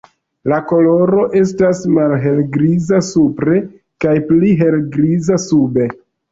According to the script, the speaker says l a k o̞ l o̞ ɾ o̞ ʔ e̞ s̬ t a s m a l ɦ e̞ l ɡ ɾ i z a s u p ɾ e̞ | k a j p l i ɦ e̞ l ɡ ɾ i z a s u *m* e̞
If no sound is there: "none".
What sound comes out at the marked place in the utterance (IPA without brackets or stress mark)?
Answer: b